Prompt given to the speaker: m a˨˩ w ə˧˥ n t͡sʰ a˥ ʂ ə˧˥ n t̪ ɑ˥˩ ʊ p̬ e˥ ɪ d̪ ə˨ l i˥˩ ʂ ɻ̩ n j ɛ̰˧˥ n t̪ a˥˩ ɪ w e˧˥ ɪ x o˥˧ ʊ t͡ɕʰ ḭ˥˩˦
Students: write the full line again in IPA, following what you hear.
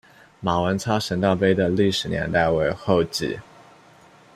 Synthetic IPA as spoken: m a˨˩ w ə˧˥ n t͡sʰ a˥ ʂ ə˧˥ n t̪ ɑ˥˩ ʊ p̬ e˥ ɪ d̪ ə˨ l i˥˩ ʂ ɻ̩ n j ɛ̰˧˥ n t̪ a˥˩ ɪ w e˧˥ ɪ x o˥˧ ʊ t͡ɕ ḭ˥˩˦